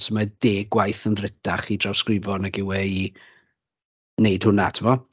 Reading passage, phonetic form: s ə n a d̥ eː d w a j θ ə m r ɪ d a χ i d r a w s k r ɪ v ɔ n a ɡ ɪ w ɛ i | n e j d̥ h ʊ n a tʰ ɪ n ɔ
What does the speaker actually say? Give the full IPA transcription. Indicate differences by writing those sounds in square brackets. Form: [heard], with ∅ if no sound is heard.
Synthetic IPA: s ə [m] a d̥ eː [ɡ] w a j θ ə [n] r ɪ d a χ i d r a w s k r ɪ v ɔ n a ɡ ɪ w ɛ i | n e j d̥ h ʊ n a tʰ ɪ [m] ɔ